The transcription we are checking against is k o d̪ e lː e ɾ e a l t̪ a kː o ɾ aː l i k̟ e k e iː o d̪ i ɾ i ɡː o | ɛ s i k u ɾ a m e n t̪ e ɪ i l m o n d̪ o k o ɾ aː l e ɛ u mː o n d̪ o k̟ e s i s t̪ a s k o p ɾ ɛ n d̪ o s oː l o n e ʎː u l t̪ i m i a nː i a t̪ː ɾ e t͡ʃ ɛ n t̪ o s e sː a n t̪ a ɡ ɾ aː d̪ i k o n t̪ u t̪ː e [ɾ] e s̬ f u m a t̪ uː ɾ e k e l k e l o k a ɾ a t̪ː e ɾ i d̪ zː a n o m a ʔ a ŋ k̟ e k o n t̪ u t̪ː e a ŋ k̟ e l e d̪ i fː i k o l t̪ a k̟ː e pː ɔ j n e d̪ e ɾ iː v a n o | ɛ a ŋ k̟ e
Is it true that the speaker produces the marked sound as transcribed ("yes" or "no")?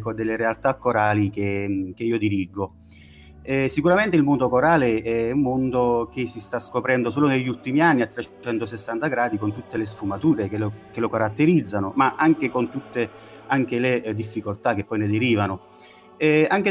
no